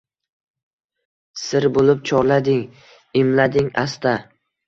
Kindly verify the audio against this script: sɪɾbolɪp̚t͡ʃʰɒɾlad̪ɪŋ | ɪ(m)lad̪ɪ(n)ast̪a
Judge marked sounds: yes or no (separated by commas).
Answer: yes, no